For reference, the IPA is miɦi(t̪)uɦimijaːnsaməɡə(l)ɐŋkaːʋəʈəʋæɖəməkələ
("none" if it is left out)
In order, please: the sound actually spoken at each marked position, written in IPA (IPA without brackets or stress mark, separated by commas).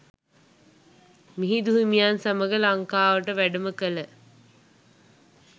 d̪, l